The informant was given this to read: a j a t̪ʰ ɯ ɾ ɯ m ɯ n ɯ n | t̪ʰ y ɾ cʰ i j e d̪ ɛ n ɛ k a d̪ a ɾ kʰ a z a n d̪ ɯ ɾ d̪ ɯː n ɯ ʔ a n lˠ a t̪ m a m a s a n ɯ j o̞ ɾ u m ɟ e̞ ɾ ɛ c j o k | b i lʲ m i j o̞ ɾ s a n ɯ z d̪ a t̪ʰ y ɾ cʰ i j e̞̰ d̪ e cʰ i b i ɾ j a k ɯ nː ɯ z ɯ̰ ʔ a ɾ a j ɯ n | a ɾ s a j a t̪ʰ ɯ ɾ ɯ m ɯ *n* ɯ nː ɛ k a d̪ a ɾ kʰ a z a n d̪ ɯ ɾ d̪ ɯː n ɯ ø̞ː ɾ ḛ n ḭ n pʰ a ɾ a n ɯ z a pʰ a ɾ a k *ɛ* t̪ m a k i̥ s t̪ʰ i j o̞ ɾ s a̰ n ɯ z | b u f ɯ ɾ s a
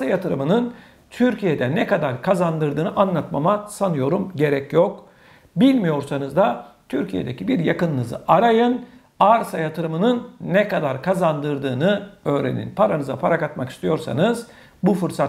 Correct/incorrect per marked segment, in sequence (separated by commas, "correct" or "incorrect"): correct, incorrect